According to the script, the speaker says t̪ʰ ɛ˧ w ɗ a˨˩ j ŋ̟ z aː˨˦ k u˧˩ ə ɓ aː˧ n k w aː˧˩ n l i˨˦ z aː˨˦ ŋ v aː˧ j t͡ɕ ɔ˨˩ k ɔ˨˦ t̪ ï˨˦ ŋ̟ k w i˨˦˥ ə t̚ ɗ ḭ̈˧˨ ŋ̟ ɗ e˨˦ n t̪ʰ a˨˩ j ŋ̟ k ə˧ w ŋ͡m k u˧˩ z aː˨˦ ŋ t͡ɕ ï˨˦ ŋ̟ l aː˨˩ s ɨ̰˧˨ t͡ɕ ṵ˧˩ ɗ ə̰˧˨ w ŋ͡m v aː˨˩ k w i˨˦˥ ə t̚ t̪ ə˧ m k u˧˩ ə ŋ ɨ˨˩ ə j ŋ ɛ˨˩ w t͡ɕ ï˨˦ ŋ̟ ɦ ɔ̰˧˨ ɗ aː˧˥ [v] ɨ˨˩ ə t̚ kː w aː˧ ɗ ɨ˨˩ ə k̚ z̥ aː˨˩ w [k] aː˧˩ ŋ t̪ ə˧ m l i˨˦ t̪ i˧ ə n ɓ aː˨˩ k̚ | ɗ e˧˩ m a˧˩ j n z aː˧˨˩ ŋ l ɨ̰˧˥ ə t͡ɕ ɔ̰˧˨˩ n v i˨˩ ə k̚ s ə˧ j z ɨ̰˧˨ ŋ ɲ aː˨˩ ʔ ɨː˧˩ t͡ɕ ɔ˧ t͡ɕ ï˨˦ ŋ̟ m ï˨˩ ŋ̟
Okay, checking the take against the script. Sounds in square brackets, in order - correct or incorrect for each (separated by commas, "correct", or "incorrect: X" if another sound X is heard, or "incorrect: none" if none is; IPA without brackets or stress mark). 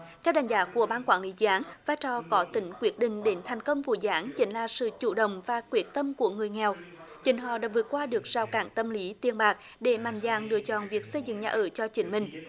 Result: correct, correct